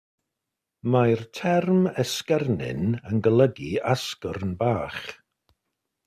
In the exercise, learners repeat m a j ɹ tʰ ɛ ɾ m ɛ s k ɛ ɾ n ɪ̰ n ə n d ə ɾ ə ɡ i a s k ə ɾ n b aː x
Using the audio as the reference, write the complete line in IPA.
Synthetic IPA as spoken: m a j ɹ tʰ ɛ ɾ m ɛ s k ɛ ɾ n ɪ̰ n ə n ɡ ə l ə ɡ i a s k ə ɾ n b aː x